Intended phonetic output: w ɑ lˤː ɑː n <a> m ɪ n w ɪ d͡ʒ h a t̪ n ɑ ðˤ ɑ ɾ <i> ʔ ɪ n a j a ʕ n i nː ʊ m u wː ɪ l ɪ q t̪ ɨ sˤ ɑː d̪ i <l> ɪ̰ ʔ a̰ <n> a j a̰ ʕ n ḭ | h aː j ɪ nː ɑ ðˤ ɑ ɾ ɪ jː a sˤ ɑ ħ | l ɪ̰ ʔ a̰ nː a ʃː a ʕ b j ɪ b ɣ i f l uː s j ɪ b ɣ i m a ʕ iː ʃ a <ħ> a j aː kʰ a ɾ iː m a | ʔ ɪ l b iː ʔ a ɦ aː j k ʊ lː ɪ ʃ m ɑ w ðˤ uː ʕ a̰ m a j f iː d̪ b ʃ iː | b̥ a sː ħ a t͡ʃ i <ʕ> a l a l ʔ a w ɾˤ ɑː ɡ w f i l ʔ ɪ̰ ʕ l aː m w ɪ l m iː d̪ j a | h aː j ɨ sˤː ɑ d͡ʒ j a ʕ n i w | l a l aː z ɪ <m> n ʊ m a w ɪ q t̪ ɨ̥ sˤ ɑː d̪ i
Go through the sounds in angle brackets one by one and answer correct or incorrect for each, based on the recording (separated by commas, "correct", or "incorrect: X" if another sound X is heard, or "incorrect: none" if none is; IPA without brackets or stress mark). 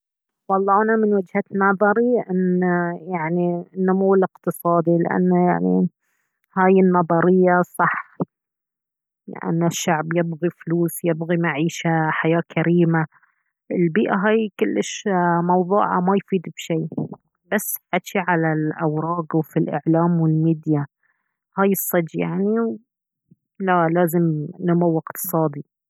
correct, correct, correct, incorrect: nː, correct, correct, correct